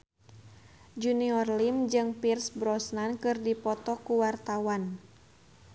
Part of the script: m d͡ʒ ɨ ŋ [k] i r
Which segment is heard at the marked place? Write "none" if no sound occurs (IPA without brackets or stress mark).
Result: p